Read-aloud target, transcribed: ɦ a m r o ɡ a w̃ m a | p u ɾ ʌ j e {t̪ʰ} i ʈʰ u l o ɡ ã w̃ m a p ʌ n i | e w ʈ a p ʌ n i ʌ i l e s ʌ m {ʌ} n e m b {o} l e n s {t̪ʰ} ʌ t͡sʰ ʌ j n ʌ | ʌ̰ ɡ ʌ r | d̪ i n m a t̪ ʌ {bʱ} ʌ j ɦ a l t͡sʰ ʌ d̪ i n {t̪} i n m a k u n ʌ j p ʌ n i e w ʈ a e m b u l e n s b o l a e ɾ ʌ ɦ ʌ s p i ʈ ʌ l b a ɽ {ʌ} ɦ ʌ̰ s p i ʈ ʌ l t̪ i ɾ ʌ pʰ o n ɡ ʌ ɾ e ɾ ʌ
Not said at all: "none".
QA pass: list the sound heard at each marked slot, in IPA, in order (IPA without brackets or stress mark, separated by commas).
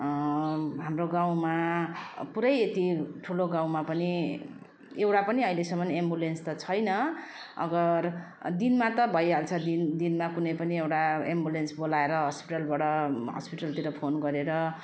t̪, ʌ, u, t̪, bʱ, d̪, ʌ